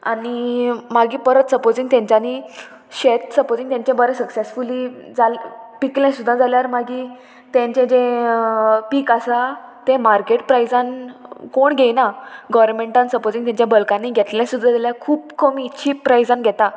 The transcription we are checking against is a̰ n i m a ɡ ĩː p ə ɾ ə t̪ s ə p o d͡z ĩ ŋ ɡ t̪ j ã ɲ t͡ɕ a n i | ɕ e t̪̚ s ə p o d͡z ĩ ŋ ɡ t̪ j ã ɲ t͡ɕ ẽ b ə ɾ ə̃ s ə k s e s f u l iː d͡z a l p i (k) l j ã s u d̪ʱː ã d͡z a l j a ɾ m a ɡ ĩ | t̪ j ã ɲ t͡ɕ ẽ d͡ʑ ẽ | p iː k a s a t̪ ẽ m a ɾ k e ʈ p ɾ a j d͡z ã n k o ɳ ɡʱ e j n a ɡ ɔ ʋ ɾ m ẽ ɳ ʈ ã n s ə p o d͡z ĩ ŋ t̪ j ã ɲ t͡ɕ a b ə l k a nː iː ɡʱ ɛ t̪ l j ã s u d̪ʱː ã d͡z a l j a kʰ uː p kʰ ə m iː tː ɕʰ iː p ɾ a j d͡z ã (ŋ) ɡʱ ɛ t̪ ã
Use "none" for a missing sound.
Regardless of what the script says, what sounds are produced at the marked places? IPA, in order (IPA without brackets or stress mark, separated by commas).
k, n